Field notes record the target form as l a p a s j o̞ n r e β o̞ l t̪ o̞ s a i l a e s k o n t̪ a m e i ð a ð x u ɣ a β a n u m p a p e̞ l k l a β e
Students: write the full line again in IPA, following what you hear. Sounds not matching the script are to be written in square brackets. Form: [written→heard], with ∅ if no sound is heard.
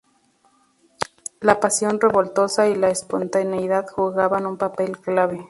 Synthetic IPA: l a p a s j o̞ n r e β o̞ l t̪ o̞ s a i l a e s [k→p] o n t̪ a [m→n] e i ð a ð x u ɣ a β a n u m p a p e̞ l k l a β e